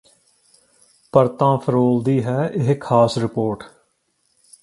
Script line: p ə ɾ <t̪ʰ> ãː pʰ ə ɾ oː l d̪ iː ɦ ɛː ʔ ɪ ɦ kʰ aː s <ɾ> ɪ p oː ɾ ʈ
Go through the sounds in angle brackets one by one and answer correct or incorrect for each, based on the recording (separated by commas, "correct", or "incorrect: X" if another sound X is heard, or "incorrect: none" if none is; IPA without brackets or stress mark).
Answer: incorrect: t̪, correct